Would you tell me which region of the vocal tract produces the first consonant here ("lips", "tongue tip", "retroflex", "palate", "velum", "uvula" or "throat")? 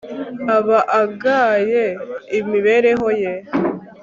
lips